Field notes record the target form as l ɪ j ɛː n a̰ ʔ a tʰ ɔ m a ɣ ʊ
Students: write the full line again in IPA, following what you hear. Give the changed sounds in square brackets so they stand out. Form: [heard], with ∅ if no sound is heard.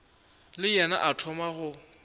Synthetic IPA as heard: l ɪ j [ɛ] n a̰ ʔ a tʰ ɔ m a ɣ ʊ